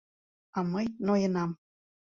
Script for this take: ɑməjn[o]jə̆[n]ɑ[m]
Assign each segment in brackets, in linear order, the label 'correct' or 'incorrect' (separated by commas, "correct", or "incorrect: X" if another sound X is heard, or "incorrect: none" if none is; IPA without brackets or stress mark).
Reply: correct, correct, correct